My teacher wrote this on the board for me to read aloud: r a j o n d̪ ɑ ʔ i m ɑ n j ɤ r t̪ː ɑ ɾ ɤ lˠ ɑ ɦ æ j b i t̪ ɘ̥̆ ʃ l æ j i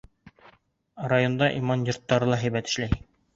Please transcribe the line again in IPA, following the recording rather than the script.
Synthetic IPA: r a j o n d̪ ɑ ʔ i m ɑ n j o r t̪ː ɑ ɾ ɤ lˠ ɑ ɦ æ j b æ t̪ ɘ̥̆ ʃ l æ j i